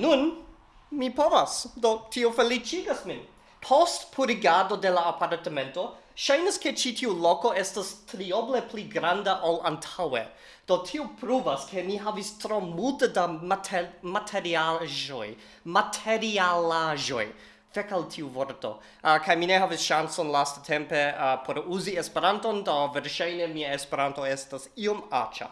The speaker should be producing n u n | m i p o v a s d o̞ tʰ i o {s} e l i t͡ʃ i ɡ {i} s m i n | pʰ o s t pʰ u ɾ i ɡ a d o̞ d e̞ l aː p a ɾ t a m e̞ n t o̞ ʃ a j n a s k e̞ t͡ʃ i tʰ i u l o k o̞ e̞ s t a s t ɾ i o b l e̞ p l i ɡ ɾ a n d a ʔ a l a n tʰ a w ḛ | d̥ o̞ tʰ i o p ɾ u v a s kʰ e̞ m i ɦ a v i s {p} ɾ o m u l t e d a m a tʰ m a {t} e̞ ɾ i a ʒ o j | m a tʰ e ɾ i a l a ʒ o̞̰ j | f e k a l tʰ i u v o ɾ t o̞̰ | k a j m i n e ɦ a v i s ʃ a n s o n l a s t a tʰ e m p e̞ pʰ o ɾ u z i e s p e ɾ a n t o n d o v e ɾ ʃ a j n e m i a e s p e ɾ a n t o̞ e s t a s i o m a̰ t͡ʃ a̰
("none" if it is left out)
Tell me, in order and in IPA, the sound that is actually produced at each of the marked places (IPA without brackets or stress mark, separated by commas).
f, a, t, tʰ